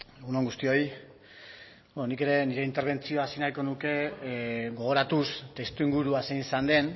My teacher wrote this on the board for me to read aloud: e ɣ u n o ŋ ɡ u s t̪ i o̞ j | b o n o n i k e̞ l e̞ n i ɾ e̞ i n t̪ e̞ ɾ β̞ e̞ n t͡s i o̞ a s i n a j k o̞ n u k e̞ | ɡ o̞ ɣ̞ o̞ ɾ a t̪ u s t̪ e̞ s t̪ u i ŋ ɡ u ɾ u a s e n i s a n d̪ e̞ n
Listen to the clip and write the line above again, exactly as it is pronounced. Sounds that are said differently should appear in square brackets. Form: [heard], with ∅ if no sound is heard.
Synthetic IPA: e ɣ u n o ŋ ɡ u s t̪ i o̞ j | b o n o n i k e̞ [ɾ] e̞ n i ɾ e̞ i n t̪ e̞ ɾ β̞ e̞ n t͡s i o̞ a s i n a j k o̞ n u k e̞ | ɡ o̞ ɣ̞ o̞ ɾ a t̪ u s t̪ e̞ s t̪ u i ŋ ɡ u ɾ u a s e n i s a n d̪ e̞ n